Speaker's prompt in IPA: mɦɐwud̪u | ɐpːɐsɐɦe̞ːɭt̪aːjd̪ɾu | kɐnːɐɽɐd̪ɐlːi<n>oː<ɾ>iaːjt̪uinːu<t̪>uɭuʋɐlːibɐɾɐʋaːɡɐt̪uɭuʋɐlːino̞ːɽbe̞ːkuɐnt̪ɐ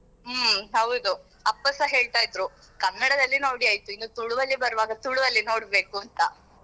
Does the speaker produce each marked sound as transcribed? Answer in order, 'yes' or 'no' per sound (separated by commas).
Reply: yes, no, yes